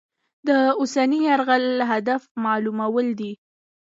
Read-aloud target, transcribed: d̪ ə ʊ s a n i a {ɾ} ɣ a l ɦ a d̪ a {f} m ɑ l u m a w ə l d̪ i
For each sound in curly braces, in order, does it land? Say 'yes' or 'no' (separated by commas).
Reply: yes, yes